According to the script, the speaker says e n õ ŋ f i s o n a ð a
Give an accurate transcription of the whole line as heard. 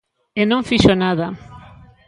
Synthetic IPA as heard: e n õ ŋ f i ʃ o n a ð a